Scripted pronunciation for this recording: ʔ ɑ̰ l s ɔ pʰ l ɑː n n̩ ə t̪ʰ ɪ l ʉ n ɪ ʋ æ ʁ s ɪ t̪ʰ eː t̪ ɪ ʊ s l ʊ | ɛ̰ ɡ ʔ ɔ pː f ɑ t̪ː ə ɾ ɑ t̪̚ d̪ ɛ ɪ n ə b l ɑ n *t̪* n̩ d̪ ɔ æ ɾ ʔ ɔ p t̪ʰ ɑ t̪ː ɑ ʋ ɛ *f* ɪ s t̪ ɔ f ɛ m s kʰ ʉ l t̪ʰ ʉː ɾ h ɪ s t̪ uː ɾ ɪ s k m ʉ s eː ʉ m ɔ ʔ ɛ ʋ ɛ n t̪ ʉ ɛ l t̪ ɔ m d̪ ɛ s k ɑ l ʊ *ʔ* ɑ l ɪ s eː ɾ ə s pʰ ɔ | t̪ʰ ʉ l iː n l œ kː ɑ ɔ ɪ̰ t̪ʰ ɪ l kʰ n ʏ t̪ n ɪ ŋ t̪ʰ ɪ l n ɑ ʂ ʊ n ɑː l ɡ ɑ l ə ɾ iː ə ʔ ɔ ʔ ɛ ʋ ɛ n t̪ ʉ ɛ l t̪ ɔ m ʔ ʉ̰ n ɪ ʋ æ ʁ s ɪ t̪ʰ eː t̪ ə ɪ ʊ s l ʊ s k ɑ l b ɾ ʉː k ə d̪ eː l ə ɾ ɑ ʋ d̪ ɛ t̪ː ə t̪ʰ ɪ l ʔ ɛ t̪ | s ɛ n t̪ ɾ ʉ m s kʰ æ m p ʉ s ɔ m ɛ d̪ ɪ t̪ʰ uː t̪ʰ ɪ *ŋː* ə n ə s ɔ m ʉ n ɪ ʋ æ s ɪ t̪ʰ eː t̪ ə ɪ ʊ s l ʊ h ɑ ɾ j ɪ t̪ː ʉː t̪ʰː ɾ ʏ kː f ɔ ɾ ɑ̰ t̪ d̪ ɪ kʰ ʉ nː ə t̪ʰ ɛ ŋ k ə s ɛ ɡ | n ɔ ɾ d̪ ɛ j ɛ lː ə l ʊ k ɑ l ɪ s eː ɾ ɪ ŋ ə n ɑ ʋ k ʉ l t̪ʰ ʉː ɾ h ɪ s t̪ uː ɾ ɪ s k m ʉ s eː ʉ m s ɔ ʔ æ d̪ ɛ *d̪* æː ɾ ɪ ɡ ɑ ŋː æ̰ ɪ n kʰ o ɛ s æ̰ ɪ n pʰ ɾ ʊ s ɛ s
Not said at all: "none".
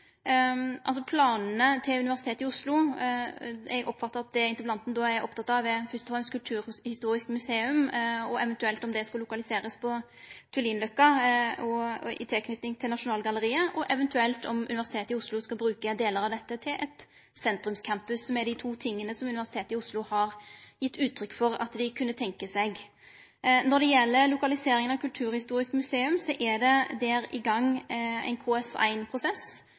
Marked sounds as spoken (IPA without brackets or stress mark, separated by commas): t̪, f, k, ŋː, d̪